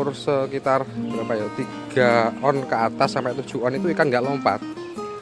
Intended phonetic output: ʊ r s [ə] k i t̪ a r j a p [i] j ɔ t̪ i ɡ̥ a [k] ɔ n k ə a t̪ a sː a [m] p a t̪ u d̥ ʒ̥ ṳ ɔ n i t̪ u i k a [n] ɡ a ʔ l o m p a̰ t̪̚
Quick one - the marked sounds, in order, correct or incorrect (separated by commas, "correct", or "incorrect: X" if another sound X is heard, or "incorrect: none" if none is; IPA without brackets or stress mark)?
correct, incorrect: a, incorrect: none, correct, incorrect: ŋ